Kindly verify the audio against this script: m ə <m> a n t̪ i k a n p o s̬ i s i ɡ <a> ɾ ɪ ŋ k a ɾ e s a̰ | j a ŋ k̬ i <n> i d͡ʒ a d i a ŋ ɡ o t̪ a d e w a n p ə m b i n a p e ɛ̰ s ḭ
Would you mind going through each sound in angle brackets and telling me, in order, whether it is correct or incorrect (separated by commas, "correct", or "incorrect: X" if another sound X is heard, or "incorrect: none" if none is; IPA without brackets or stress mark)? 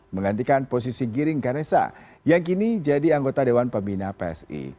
incorrect: ŋ, incorrect: i, correct